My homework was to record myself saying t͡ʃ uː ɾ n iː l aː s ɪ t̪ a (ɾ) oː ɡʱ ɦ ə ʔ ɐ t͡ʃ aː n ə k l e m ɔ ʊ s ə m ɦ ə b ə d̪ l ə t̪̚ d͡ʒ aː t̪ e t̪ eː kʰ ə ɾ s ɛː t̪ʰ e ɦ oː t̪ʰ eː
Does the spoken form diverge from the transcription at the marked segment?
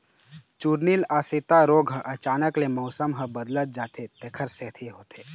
no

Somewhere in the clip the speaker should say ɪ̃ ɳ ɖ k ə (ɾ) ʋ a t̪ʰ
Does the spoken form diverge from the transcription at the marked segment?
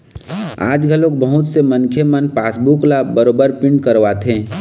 no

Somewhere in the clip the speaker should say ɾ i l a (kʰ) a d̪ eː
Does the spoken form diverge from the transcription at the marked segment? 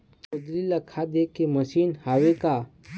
no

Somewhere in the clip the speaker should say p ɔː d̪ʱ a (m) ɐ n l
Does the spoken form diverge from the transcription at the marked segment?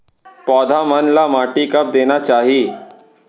no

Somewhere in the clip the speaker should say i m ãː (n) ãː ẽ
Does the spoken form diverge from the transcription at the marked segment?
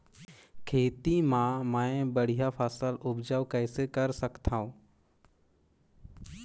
yes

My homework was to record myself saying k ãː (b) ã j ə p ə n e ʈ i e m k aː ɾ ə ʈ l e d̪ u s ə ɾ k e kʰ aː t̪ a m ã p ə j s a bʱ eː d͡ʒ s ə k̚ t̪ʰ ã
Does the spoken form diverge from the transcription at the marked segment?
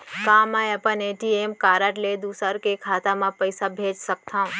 yes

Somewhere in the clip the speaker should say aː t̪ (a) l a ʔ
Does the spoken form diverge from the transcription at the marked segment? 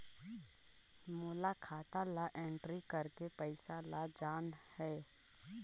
no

